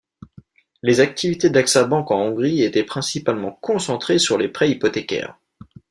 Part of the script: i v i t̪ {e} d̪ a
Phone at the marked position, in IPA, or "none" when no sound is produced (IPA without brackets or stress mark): e